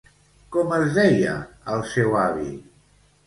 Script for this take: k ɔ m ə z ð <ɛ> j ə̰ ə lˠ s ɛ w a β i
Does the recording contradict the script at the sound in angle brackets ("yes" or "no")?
no